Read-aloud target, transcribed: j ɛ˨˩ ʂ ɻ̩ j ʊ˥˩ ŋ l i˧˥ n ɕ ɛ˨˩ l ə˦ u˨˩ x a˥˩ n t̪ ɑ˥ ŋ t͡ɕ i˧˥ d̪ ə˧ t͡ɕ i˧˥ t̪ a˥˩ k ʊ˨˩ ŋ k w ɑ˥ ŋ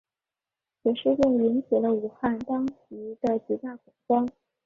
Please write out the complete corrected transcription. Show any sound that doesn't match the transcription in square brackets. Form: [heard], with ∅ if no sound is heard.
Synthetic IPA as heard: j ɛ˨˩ ʂ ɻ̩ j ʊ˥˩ ŋ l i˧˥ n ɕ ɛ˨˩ l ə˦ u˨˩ x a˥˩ n t̪ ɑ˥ ŋ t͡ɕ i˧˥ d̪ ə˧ t͡ɕ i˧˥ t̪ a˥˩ k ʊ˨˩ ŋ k w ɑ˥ ŋ